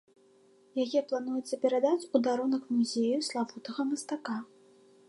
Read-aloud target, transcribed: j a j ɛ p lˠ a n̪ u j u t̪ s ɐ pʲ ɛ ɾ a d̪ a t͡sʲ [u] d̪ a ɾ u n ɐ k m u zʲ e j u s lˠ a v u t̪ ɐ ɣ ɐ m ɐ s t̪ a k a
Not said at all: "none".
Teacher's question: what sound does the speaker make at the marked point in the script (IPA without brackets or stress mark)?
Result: u